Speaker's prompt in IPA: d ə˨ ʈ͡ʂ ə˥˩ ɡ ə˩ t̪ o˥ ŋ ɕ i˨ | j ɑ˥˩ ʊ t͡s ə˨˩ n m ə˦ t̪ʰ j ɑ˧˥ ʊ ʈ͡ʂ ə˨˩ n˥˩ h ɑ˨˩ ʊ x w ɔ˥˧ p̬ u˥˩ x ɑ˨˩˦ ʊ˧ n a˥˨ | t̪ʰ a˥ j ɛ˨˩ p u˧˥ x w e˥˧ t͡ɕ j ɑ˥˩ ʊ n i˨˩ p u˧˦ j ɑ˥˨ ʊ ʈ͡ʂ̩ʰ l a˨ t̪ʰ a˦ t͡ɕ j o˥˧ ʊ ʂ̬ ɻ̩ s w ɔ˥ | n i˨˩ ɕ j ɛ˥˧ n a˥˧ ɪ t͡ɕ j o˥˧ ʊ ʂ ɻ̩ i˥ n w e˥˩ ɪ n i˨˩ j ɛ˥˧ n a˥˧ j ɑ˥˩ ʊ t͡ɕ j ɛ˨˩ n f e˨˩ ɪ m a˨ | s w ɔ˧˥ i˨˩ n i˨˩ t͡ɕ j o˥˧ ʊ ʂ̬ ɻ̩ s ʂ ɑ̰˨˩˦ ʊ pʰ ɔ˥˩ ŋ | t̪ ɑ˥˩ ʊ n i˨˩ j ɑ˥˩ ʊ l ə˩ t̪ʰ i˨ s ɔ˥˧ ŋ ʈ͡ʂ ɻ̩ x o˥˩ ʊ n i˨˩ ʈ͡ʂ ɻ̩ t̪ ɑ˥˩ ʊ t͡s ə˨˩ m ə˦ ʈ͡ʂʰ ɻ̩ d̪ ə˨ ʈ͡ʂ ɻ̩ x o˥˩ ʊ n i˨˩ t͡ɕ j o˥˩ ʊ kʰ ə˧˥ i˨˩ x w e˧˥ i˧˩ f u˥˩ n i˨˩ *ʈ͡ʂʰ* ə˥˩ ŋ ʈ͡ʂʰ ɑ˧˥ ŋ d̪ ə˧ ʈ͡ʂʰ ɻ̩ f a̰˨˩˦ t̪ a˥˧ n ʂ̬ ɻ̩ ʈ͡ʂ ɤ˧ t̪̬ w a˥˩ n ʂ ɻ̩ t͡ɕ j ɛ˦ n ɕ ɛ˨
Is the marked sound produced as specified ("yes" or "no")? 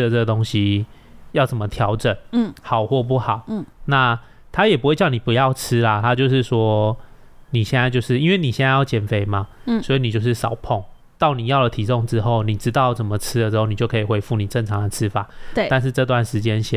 no